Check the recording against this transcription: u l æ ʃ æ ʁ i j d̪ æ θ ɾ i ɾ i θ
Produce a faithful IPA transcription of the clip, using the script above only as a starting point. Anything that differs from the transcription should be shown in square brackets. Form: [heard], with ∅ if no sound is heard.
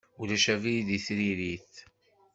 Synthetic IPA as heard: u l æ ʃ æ [v] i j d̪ [i] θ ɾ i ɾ i θ